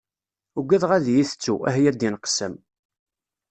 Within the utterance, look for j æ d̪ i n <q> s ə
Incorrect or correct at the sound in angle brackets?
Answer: correct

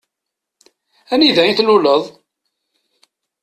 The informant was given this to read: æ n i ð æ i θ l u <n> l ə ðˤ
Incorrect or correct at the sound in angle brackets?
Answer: incorrect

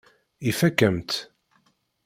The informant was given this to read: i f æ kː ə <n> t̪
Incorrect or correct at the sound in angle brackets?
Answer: incorrect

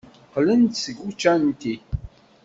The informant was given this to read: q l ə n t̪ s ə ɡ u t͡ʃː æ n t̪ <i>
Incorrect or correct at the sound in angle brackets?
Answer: correct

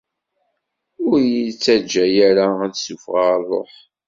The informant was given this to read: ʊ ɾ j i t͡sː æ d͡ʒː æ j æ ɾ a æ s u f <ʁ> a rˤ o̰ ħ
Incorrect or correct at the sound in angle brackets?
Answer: correct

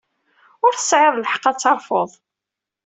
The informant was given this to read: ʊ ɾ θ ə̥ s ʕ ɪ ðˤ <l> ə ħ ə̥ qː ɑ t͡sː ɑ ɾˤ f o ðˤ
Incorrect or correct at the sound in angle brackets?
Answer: correct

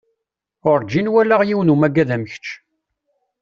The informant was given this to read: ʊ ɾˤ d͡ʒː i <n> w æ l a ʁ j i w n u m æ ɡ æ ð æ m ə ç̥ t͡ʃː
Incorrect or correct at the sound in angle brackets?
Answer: correct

